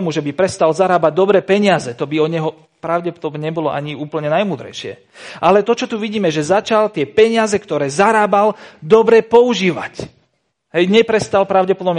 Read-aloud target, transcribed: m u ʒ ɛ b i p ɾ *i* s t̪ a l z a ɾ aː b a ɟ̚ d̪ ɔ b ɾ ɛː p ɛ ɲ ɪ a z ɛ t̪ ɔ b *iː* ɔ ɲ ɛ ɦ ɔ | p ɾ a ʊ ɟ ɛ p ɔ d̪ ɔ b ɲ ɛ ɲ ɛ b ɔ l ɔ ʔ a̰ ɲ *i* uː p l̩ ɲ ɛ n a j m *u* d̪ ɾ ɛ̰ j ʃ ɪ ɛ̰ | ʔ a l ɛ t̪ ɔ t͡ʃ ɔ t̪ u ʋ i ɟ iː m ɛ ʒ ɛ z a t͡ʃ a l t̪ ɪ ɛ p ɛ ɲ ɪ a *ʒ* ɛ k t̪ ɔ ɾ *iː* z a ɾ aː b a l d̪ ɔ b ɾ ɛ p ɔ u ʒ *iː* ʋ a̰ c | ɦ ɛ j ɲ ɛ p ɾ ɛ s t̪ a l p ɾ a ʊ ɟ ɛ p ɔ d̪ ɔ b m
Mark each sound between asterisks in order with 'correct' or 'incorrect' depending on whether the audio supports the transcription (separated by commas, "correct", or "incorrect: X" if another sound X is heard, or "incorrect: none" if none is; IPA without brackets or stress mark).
incorrect: ɛ, incorrect: i, correct, incorrect: uː, incorrect: z, incorrect: ɛː, correct